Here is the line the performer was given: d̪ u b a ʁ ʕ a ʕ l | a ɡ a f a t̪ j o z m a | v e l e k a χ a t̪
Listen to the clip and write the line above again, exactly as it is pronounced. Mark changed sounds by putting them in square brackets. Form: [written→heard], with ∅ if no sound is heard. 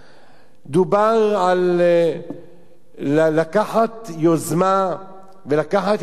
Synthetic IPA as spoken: d̪ u b a ʁ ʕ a [ʕ→∅] l | a [ɡ→k] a [f→ħ] a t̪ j o z m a | v e l [e→a] k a [χ→ħ] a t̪